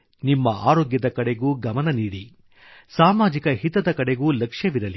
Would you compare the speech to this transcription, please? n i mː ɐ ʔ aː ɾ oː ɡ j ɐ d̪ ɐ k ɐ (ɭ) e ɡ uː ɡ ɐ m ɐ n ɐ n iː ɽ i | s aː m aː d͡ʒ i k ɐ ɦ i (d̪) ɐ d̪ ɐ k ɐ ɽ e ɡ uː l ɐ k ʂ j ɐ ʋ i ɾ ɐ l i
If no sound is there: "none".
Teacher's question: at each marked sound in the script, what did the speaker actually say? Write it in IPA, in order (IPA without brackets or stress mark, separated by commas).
ɽ, t̪